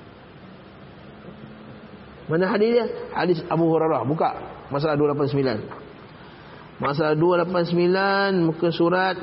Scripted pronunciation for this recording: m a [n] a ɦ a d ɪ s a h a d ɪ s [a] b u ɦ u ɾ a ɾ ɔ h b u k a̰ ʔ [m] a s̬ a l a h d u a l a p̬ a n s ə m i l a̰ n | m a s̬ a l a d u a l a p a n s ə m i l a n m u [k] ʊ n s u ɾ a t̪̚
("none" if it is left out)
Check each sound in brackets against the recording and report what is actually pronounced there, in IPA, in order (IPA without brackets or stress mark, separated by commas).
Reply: n, a, m, k